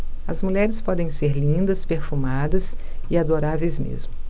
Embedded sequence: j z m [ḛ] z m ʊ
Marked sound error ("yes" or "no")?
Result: no